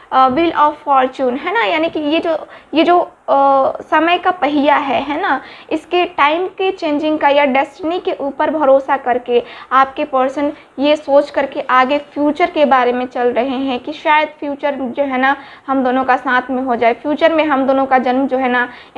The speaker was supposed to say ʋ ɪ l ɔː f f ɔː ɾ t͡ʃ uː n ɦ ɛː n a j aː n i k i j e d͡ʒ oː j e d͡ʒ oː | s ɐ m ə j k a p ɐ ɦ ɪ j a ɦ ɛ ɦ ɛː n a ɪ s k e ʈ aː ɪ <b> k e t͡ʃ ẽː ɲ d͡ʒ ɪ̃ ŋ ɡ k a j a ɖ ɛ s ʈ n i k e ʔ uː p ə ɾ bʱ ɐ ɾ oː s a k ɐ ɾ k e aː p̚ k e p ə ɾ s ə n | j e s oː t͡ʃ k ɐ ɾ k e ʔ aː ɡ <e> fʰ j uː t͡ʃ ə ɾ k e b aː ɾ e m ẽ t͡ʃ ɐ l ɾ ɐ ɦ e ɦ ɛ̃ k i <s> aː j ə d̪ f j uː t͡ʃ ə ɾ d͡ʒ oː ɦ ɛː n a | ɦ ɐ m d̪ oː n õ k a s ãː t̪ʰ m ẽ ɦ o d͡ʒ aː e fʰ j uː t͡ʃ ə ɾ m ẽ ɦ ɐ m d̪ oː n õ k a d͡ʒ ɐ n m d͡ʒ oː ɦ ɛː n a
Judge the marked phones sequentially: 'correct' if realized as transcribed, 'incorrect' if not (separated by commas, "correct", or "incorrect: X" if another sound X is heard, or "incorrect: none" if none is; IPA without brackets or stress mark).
incorrect: m, correct, incorrect: ʃ